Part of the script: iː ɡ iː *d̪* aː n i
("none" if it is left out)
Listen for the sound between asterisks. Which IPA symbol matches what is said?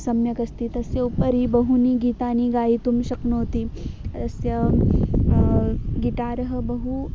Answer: t̪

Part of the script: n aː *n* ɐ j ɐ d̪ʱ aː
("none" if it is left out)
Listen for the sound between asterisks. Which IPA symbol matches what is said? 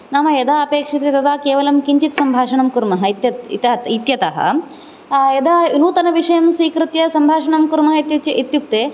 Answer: m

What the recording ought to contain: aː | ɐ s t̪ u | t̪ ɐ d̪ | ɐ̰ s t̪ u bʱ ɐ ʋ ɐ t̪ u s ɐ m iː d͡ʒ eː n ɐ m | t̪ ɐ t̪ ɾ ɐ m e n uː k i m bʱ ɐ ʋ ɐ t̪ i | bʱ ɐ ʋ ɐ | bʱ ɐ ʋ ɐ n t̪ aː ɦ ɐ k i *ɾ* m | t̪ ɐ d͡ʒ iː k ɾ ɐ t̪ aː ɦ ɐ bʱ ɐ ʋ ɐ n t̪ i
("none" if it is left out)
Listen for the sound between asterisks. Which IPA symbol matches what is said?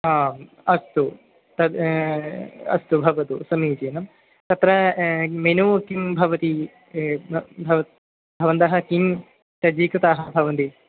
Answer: none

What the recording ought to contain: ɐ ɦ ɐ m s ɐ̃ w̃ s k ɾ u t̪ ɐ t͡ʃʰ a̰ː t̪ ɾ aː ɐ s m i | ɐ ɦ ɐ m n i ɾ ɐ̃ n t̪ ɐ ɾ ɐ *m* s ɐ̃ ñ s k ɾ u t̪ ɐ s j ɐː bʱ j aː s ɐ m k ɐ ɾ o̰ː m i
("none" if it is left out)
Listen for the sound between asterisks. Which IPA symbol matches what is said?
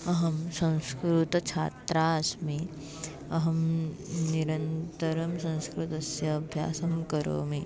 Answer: m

